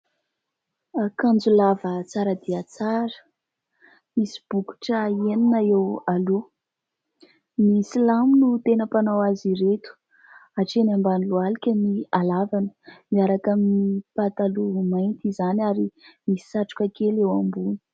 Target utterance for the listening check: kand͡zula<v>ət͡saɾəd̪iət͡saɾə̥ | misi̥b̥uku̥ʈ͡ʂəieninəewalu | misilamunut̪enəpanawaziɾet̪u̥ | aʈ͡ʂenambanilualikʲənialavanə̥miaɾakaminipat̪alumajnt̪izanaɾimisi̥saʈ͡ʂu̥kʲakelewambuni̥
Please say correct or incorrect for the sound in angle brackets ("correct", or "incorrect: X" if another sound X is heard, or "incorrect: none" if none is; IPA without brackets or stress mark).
correct